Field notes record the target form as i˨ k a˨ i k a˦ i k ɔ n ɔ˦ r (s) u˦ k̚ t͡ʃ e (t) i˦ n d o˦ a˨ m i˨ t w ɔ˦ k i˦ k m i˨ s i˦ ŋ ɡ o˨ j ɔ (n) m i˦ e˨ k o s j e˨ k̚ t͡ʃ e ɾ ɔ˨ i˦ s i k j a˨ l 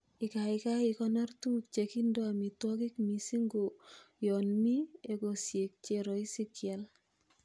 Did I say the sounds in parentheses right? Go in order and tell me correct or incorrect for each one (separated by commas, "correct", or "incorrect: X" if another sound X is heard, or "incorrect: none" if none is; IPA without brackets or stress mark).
incorrect: t, incorrect: k, correct